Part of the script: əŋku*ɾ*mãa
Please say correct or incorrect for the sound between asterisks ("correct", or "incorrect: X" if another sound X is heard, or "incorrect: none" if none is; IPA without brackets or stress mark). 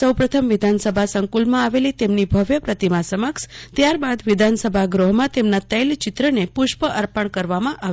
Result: incorrect: l